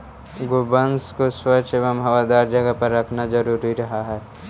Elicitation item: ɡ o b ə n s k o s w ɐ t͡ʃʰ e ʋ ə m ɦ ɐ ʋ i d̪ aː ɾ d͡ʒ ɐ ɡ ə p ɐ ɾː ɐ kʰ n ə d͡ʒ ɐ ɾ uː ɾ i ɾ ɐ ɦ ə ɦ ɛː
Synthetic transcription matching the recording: ɡ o b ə n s k o s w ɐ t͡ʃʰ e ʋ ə m ɦ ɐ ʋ a d̪ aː ɾ d͡ʒ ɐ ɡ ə p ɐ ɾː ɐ kʰ n a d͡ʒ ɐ ɾ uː ɾ i ɾ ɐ ɦ a ɦ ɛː